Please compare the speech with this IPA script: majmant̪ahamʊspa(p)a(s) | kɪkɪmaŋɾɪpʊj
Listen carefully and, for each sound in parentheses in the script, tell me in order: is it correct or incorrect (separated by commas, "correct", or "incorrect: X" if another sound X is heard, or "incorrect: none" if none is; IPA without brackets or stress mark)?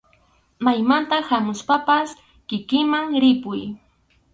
correct, correct